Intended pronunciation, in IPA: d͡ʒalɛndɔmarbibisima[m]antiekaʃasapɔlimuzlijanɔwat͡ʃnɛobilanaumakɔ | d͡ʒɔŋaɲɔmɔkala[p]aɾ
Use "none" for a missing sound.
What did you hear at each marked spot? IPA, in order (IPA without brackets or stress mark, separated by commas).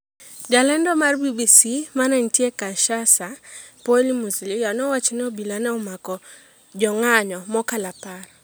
n, p